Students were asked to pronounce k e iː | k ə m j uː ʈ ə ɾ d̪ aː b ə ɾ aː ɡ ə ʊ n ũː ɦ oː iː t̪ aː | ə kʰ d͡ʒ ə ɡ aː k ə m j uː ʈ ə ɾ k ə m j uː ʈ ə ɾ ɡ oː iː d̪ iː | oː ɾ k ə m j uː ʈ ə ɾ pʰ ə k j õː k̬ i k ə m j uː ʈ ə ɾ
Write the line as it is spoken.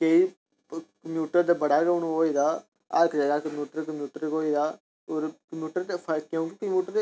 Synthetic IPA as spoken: k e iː | k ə m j uː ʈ ə ɾ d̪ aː b ə ɽ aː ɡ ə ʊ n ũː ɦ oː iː d̪ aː | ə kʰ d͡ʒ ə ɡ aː k ə m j uː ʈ ə ɾ k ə m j uː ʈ ə ɾ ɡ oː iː d̪ aː | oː ɾ k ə m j uː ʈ ə ɾ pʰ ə k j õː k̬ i k ə m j uː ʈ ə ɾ